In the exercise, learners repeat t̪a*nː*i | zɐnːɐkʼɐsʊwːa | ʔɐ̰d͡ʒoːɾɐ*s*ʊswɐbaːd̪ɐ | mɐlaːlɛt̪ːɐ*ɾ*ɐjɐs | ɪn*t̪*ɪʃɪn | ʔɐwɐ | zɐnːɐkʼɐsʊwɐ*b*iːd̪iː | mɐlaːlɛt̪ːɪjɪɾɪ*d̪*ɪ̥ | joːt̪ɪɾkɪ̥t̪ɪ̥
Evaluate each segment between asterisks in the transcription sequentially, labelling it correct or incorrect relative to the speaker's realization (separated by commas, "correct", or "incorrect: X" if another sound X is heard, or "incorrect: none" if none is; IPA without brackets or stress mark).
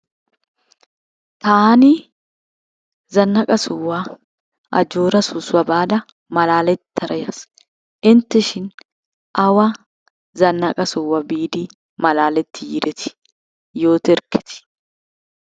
incorrect: n, correct, correct, correct, correct, incorrect: t̪